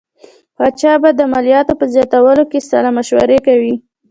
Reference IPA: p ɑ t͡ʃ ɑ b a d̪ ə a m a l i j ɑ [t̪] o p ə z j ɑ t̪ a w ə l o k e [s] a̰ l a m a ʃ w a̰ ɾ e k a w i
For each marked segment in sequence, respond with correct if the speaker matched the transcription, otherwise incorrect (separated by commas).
correct, correct